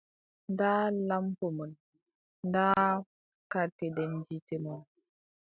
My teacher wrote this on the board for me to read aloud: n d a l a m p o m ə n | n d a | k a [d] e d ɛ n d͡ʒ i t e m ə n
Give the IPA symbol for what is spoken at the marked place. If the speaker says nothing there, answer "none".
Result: t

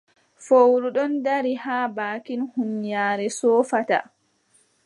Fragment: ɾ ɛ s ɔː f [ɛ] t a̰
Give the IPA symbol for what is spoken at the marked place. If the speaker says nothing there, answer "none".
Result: a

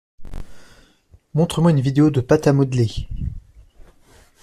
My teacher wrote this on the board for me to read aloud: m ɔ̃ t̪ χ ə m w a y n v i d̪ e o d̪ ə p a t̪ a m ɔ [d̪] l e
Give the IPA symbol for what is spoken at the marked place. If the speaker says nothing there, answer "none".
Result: d̪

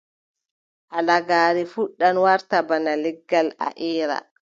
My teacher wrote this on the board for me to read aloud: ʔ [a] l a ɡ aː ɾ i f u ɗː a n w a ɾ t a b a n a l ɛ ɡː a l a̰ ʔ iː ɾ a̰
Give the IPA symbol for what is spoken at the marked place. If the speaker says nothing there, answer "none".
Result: a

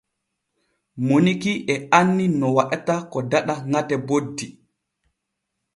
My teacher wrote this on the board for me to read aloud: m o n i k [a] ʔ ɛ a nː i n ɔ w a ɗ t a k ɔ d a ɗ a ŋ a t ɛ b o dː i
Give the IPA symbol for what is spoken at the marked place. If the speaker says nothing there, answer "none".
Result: i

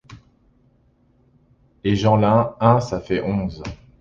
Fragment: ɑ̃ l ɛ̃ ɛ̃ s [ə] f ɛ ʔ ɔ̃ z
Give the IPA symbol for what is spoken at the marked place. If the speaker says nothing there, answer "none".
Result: a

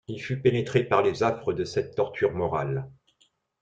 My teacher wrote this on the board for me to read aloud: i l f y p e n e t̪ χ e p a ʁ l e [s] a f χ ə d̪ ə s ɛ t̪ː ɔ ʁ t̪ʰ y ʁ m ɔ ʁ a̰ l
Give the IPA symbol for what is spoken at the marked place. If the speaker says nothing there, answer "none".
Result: z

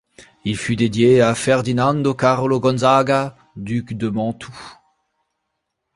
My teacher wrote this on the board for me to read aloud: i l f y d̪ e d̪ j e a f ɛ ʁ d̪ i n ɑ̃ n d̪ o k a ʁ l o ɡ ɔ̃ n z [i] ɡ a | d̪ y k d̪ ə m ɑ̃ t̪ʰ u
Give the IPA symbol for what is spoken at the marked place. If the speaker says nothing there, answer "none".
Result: a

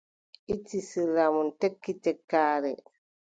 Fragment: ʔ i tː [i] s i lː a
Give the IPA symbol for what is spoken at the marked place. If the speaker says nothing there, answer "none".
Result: i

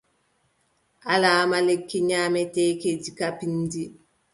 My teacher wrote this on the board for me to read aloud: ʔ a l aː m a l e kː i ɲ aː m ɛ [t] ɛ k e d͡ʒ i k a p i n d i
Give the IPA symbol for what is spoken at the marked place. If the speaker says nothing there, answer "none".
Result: t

